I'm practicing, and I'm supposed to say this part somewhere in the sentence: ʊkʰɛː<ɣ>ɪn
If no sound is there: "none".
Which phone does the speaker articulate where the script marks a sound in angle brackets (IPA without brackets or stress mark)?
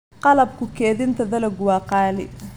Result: ð